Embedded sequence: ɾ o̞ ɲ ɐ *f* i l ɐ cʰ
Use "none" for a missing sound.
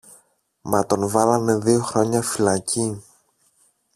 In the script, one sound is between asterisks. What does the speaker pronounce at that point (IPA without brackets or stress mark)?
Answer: f